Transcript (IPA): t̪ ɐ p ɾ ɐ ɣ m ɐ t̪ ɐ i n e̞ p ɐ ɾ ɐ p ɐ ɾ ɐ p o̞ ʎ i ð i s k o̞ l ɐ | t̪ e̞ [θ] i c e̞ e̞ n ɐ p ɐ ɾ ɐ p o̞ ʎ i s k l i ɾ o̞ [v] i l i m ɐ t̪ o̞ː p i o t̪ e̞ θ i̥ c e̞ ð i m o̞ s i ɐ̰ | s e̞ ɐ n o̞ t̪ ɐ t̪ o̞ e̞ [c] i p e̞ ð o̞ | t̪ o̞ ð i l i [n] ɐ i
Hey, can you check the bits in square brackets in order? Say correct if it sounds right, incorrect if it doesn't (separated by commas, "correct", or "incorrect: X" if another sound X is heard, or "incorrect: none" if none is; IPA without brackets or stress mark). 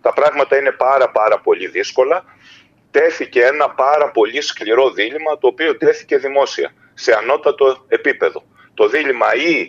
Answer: correct, incorrect: ð, incorrect: p, incorrect: m